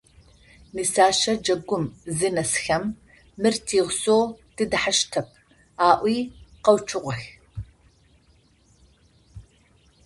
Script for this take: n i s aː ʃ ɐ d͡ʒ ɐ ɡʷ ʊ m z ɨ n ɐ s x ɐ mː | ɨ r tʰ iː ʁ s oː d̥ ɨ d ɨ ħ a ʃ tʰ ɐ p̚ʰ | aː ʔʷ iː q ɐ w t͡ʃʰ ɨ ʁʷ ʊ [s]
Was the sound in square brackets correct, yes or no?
no